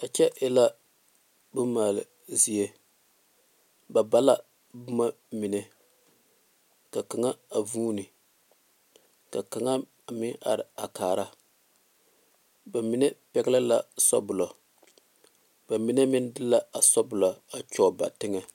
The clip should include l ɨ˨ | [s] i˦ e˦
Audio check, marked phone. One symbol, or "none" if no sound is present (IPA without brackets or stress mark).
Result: z